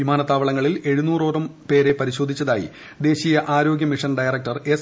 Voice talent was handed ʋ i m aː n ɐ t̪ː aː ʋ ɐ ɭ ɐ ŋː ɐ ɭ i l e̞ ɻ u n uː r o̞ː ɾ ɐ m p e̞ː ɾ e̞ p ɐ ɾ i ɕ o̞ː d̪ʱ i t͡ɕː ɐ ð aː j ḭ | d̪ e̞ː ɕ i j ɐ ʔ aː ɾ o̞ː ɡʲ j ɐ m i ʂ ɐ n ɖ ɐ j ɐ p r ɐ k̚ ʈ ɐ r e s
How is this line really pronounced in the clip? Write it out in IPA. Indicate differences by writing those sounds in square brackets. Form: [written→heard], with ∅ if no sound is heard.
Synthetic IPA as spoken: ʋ i m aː n ɐ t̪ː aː ʋ ɐ ɭ ɐ ŋː ɐ ɭ i l e̞ ɻ u n uː r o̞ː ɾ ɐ m p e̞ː ɾ e̞ p ɐ ɾ i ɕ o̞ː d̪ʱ i t͡ɕː ɐ ð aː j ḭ | d̪ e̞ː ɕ i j ɐ ʔ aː ɾ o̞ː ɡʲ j ɐ m i ʂ ɐ n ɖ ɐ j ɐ [p→∅] r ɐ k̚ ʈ ɐ r e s